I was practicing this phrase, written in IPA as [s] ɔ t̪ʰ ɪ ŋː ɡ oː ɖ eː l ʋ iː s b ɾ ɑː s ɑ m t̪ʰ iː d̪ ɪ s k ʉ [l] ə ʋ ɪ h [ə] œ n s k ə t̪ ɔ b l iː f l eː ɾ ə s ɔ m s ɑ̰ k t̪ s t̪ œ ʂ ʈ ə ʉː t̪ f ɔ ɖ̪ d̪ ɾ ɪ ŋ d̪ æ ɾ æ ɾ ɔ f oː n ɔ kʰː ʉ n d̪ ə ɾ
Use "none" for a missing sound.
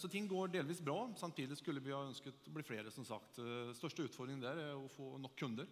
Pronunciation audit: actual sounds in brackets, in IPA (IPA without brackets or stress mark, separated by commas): s, lː, ɑ